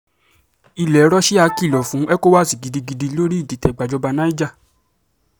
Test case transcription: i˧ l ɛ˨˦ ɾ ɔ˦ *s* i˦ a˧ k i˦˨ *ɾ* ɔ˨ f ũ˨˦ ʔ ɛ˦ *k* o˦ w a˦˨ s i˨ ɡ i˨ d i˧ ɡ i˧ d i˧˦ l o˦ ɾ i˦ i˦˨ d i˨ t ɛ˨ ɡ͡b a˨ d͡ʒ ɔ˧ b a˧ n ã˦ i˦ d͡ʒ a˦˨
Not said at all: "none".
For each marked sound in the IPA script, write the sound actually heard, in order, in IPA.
ʃ, l, k

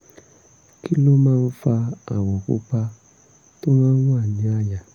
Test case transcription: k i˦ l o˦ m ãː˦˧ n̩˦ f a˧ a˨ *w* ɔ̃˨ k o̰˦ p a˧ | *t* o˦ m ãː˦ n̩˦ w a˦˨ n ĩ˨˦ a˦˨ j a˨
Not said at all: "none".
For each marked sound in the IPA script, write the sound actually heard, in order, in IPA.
w, t

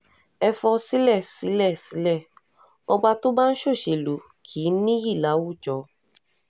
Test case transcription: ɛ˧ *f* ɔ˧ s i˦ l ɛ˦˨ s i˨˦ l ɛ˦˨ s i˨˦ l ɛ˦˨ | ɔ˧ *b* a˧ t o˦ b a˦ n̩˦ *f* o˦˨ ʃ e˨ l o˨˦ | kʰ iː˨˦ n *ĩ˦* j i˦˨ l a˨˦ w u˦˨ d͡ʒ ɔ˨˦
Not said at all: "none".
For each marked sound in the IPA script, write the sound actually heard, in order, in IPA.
f, ɡ͡b, ʃ, ĩ˦

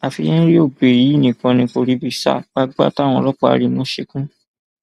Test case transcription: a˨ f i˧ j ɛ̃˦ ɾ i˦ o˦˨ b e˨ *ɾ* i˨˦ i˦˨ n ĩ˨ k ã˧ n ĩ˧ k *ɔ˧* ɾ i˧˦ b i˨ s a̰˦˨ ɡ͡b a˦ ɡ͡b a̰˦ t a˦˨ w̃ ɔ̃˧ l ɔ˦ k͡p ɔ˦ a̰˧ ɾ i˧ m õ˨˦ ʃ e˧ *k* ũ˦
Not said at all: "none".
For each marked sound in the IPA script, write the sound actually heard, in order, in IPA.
ɾ, o˧, k

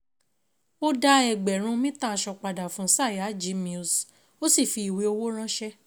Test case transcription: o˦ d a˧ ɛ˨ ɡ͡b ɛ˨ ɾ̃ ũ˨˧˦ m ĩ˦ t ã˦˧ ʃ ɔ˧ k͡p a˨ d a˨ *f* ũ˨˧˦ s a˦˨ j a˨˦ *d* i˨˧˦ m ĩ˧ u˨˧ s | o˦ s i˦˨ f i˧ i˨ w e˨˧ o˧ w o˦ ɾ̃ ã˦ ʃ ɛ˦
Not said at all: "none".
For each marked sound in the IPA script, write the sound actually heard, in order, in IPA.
f, d͡ʒ

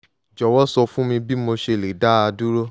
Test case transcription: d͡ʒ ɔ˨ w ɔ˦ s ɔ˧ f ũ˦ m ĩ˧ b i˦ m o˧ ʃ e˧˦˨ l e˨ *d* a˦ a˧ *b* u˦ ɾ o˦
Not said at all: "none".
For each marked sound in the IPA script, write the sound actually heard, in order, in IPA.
d, d

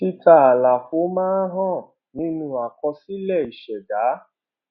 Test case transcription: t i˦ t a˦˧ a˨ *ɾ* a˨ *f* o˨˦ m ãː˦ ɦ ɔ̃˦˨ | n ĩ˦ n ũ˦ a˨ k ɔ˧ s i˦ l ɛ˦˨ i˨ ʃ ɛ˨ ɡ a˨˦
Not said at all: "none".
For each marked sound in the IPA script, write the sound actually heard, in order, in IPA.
l, f

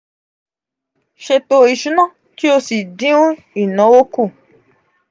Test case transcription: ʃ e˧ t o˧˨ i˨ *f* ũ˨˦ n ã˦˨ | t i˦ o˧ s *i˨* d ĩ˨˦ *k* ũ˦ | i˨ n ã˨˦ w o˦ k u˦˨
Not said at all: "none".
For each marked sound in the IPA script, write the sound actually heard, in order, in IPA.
ʃ, i˨, none

